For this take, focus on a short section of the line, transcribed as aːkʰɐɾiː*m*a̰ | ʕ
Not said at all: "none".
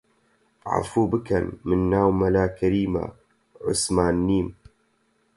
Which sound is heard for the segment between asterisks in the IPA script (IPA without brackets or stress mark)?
m